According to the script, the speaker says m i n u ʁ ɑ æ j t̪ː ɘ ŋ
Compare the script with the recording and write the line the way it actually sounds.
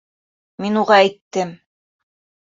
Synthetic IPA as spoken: m i n u ʁ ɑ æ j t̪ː ɘ m